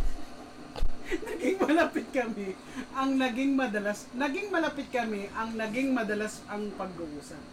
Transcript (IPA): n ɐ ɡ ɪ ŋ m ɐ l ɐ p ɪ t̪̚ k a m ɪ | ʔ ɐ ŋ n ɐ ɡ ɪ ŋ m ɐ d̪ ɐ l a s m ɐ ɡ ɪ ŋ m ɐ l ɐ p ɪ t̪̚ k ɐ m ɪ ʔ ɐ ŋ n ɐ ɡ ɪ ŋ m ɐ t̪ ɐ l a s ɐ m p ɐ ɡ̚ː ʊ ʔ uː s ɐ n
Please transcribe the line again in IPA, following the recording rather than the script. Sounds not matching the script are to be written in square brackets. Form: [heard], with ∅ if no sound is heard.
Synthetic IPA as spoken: n ɐ ɡ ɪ ŋ m ɐ l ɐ p ɪ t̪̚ k [ɐ] m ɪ | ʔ ɐ ŋ n ɐ ɡ ɪ ŋ m ɐ d̪ ɐ l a s [n] ɐ ɡ ɪ ŋ m ɐ l ɐ p ɪ t̪̚ k ɐ m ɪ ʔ ɐ ŋ n ɐ ɡ ɪ ŋ m ɐ [d̪] ɐ l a s ɐ [ŋ] p ɐ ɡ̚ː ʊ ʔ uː s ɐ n